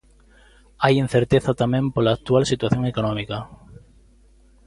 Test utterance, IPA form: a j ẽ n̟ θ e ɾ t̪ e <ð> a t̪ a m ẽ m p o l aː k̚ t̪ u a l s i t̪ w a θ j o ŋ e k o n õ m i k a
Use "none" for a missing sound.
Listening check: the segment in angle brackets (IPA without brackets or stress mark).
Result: θ